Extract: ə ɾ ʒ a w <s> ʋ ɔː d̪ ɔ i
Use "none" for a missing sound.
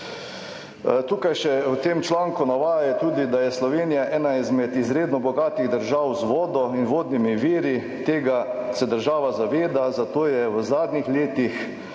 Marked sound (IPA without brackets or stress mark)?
z